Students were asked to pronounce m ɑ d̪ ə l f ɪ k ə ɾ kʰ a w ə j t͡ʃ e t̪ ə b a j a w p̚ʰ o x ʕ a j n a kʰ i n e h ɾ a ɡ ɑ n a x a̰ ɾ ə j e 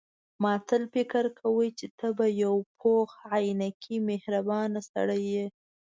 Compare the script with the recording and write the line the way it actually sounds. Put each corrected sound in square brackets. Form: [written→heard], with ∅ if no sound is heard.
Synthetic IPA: m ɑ [d̪→t̪] ə l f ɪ k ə ɾ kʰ a w ə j t͡ʃ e t̪ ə b a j a w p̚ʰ o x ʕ a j n a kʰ i [n→m] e h ɾ a [ɡ→b] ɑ n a [x→s] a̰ [ɾ→ɽ] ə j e

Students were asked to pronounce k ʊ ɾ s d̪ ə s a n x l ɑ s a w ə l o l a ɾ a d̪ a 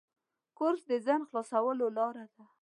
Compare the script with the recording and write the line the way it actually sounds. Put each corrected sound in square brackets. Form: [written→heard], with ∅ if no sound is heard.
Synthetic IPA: k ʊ ɾ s d̪ ə [s→z] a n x l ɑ s a w ə l o l [a→ɑ] ɾ a d̪ a

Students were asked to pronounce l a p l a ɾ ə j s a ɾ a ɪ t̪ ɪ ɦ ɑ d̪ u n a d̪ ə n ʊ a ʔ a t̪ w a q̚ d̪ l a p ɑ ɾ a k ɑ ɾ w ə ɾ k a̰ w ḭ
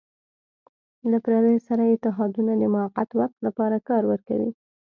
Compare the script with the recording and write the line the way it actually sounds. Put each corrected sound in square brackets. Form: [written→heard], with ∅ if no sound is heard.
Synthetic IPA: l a p [l→ɾ] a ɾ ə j s a ɾ a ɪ t̪ ɪ ɦ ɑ d̪ u n a d̪ ə [n→m] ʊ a [ʔ→q] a t̪ w a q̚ [d̪→t̪] l a p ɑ ɾ a k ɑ ɾ w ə ɾ k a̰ w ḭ

